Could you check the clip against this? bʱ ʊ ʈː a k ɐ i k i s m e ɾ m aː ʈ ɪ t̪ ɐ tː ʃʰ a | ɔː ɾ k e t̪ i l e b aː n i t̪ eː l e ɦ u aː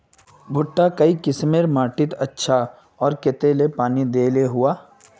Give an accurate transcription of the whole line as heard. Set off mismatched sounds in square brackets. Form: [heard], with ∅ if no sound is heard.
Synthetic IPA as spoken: bʱ ʊ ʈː a k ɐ i k [ɪ] s m e ɾ m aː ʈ ɪ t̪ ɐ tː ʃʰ a | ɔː ɾ k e t̪ [e] l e [p] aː n i [d̪] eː l e ɦ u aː